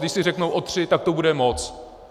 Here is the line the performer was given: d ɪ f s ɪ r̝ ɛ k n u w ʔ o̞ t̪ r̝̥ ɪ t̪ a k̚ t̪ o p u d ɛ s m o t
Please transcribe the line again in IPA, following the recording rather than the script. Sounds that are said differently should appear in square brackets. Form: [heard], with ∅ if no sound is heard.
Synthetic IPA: d ɪ [ʃ] s ɪ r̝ ɛ k n [o] w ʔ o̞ t̪ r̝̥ ɪ t̪ a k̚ t̪ o [b] u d ɛ [∅] m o [t͡s]